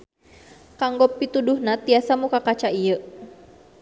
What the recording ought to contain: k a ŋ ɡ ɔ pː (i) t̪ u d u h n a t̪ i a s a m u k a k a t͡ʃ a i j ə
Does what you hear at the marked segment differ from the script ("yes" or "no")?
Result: no